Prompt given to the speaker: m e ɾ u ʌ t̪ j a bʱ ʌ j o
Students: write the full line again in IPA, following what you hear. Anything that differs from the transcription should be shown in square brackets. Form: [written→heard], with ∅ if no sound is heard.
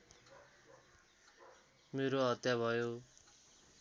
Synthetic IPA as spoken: m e ɾ [u→o] ʌ t̪ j a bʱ ʌ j o

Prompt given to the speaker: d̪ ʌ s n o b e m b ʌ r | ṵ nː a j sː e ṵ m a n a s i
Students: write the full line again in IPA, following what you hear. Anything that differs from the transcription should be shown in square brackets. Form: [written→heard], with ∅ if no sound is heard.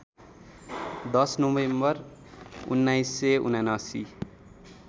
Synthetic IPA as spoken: d̪ ʌ s n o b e m b ʌ r | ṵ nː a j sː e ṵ [m→n] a n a s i

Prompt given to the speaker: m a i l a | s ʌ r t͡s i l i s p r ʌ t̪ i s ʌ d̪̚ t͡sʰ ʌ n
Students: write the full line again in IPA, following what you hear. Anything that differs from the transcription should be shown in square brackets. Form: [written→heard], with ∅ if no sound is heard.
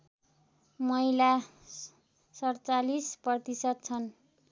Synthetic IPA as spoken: m [a→ʌ] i l a | s ʌ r t͡s [i→a] l i s p r ʌ t̪ i s ʌ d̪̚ t͡sʰ ʌ n

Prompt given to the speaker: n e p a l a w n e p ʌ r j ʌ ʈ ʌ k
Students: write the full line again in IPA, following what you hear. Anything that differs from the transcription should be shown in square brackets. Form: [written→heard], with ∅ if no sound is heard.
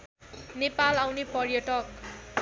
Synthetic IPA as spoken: n e p a l a w n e p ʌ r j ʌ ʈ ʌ k

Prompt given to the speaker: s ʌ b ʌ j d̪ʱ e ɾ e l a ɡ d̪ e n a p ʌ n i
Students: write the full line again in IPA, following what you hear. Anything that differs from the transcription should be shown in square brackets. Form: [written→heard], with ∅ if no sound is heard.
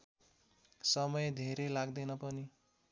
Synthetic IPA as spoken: s ʌ [b→m] ʌ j d̪ʱ e ɾ e l a ɡ d̪ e n [a→ʌ] p ʌ n i

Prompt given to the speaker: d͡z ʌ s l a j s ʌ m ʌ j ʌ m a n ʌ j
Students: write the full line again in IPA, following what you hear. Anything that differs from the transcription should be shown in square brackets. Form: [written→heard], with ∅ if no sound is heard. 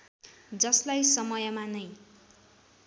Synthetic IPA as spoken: d͡z ʌ s l a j s ʌ m ʌ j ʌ m a n ʌ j

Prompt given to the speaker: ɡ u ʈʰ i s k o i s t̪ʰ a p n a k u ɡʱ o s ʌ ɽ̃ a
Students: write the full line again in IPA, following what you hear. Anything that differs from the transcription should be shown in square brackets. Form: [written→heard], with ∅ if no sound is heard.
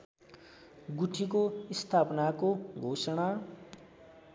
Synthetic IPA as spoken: ɡ u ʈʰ i [s→∅] k o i s t̪ʰ a p n a k [u→o] ɡʱ o s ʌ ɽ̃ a

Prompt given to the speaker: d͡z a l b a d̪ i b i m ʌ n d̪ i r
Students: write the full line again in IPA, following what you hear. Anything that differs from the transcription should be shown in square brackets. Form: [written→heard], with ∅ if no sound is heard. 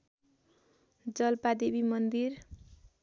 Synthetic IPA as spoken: d͡z [a→ʌ] l [b→p] a d̪ [i→e] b i m ʌ n d̪ i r

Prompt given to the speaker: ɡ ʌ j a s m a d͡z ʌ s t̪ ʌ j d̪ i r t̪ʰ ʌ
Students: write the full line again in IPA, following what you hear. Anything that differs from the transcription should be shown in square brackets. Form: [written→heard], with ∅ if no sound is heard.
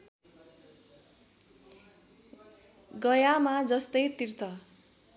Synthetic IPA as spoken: ɡ ʌ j a [s→∅] m a d͡z ʌ s t̪ ʌ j [d̪→t̪] i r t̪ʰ ʌ

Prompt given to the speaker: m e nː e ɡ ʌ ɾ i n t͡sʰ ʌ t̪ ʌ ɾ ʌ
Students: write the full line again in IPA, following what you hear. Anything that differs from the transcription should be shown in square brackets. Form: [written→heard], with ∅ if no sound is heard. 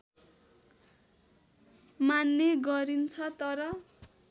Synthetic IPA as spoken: m [e→a] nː e ɡ ʌ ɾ i n t͡sʰ ʌ t̪ ʌ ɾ ʌ

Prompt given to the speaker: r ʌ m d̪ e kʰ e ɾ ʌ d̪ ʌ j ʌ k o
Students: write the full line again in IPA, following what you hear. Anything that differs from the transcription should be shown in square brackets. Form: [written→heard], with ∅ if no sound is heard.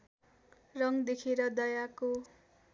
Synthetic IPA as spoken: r ʌ [m→ŋ] d̪ e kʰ e ɾ ʌ d̪ ʌ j [ʌ→a] k o

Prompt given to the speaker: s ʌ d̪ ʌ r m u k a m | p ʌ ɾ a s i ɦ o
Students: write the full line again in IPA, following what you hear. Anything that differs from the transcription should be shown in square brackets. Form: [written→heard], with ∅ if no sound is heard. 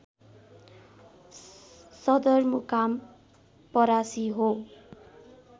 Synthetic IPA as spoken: s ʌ d̪ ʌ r m u k a m | p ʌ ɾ a s i ɦ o

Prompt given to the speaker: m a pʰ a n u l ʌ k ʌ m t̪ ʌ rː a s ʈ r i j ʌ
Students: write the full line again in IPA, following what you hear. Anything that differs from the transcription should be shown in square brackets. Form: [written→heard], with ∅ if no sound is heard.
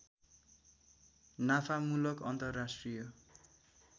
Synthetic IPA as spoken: [m→n] a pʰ a [n→m] u l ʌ k ʌ [m→n] t̪ ʌ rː a s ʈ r i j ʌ

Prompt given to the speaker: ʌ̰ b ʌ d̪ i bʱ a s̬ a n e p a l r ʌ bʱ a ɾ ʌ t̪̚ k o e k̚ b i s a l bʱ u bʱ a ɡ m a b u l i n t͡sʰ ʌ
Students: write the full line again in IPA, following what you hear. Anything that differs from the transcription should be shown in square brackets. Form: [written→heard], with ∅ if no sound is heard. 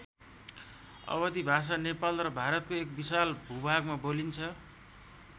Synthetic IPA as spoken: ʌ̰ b ʌ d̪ i bʱ a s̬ a n e p a l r ʌ bʱ a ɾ ʌ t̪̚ k o e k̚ b i s a l bʱ u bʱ a ɡ m a b [u→o] l i n t͡sʰ ʌ

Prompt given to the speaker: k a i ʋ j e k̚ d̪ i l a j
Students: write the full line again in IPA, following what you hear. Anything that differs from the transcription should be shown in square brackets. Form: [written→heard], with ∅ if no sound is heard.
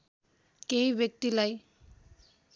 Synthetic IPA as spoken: k [a→e] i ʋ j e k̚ [d̪→t̪] i l a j

